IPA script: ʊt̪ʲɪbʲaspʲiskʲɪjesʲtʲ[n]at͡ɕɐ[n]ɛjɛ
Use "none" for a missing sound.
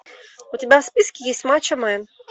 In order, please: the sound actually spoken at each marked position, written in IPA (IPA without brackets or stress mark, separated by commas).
m, m